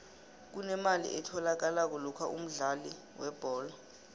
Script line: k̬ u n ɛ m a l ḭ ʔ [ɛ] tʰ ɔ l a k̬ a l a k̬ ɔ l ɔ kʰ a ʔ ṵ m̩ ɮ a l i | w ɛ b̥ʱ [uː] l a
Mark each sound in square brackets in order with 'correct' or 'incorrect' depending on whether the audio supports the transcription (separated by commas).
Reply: correct, incorrect